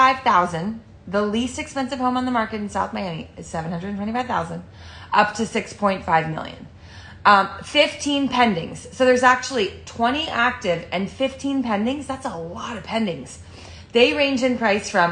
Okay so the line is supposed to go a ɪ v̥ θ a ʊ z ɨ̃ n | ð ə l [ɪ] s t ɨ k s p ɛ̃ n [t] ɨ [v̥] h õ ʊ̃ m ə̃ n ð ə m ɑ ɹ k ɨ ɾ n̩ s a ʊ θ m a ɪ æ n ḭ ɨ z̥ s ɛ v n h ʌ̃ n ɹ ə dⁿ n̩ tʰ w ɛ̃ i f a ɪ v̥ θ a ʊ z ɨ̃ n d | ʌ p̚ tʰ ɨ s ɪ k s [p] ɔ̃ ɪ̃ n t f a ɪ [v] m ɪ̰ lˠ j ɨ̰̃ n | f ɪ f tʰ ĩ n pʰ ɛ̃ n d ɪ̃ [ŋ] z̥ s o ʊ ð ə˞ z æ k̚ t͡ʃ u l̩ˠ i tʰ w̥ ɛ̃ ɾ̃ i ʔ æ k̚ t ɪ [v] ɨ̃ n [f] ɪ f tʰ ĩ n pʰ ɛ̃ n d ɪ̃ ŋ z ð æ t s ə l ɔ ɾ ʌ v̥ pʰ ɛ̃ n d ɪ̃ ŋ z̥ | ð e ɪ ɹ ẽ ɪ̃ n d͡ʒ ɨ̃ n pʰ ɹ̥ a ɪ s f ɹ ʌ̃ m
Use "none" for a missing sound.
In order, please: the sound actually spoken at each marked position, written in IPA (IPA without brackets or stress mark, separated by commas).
i, s, v̥, pʰ, v, ŋ, v, f